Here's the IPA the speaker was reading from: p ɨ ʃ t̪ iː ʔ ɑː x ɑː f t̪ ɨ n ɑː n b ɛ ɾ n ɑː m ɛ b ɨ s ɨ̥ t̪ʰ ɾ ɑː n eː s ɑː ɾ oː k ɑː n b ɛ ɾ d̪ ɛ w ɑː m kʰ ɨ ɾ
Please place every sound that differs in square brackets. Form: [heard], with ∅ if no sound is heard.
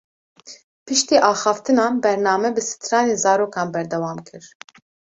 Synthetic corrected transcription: p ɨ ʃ t̪ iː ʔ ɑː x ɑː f t̪ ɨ n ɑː n b ɛ ɾ n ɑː m ɛ b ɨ s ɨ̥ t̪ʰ ɾ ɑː n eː [z] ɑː ɾ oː k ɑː n b ɛ ɾ d̪ ɛ w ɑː m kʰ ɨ ɾ